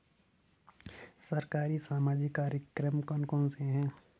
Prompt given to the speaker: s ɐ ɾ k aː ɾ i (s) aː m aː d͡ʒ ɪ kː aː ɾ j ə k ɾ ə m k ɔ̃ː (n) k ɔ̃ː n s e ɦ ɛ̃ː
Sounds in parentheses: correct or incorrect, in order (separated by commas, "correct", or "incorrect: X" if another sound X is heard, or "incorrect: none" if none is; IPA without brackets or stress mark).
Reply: correct, correct